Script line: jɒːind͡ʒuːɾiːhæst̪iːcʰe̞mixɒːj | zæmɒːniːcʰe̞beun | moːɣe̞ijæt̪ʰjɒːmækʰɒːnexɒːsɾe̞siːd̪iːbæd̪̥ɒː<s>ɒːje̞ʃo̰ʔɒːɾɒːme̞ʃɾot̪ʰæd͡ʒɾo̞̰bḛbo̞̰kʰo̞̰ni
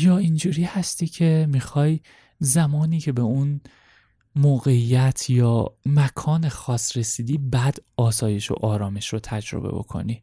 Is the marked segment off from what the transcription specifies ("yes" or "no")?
no